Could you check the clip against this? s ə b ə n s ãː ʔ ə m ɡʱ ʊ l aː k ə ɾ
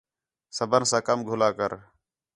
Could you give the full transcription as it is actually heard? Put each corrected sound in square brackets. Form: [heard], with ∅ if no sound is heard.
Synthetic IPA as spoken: s ə b ə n s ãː [k] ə m ɡʱ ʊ l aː k ə ɾ